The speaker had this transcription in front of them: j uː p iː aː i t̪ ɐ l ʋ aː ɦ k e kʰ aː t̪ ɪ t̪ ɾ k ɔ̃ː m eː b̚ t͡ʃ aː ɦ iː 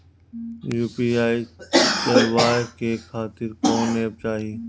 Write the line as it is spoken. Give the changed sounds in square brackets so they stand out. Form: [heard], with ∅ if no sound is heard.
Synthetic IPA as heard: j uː p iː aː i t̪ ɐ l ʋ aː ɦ k e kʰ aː t̪ ɪ [∅] ɾ k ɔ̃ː [n] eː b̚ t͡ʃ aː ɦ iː

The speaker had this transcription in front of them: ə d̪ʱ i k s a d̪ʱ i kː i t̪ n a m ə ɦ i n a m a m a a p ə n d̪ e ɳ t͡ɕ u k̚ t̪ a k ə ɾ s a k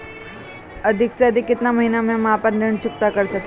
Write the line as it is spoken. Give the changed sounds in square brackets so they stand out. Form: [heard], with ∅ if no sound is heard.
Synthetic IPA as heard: ə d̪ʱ i k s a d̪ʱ i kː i t̪ n a m ə ɦ i n a m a m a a p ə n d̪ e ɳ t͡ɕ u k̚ t̪ a k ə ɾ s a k

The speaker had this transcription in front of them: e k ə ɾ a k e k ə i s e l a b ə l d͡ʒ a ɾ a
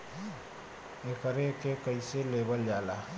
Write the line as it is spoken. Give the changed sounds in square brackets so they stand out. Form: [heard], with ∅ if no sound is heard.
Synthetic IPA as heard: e k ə ɾ [e] k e k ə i s e l [e] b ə l d͡ʒ a [l] a

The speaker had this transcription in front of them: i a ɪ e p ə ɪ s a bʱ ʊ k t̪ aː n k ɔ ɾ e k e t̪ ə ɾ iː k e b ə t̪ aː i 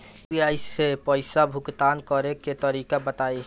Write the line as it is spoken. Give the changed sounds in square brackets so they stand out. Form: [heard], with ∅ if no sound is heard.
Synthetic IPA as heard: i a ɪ e p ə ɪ s a bʱ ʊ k t̪ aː n k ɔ ɾ e k e t̪ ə ɾ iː k [a] b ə t̪ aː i

